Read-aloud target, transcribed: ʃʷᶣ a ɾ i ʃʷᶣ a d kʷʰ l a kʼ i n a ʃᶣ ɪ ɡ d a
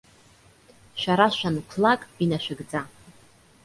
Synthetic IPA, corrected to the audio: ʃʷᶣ a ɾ a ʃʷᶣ a n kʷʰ l a kʼ i n a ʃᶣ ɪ ɡ d͡z a